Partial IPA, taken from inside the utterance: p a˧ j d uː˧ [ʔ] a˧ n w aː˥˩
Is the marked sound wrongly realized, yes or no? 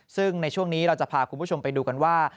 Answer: yes